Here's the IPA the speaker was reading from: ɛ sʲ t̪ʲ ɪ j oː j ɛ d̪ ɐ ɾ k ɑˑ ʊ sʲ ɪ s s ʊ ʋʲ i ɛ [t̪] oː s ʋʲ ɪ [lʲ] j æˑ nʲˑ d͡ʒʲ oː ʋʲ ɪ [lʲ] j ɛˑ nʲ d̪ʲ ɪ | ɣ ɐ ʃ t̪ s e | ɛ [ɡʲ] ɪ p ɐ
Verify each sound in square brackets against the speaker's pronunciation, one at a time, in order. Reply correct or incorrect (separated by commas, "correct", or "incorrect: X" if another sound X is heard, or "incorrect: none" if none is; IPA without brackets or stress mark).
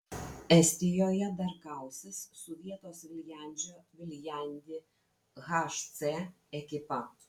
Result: correct, correct, correct, incorrect: kʲ